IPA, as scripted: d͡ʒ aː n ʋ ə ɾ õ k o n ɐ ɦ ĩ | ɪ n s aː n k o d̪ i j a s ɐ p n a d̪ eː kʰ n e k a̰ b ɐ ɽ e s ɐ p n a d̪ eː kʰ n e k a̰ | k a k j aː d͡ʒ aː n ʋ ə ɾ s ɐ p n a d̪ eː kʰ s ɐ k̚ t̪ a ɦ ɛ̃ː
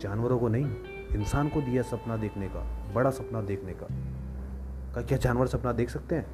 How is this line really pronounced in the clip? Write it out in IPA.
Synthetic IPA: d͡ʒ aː n ʋ ə ɾ õ k o n ɐ ɦ ĩ | ɪ n s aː n k o d̪ i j a s ɐ p n a d̪ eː kʰ n e k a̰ b ɐ ɽ a s ɐ p n a d̪ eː kʰ n e k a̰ | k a k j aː d͡ʒ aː n ʋ ə ɾ s ɐ p n a d̪ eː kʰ s ɐ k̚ t̪ e ɦ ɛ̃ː